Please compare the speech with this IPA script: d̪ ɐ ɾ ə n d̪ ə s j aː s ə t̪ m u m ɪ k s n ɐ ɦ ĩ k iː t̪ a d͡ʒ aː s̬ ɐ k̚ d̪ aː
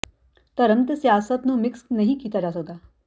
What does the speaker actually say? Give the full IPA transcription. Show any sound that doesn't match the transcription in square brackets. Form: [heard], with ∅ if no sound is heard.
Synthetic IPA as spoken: [t̪] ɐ ɾ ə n [t̪] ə s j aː s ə t̪ [n] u m ɪ k s n ɐ ɦ ĩ k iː t̪ a d͡ʒ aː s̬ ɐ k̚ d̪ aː